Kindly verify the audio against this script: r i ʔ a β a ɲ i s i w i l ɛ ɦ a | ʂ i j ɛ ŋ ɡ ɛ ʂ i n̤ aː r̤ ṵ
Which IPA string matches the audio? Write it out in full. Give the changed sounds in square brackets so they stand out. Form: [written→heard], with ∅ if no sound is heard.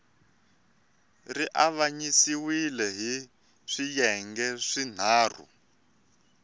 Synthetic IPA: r i ʔ a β a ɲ i s i w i l ɛ ɦ [a→i] | ʂ i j ɛ ŋ ɡ ɛ ʂ i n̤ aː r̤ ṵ